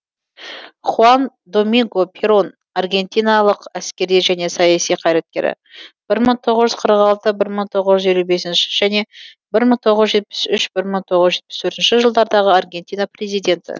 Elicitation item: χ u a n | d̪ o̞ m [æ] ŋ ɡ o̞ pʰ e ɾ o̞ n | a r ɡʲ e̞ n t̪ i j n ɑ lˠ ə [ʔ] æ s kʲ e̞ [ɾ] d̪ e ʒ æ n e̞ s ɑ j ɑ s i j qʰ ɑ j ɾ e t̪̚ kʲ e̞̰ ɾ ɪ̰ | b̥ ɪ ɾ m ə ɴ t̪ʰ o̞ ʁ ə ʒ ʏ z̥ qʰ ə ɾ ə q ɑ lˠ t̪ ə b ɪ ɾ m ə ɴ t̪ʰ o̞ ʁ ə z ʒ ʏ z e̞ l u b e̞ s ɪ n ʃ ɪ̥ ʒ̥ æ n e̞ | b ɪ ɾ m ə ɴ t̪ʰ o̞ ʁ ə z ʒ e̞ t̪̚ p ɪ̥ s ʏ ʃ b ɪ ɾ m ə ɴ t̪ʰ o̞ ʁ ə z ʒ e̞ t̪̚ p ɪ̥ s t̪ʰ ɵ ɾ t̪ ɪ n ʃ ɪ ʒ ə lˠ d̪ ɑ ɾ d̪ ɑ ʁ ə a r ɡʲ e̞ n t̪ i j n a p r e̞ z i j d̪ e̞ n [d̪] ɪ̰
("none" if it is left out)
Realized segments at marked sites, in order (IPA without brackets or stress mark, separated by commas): i, q, ɾ, t̪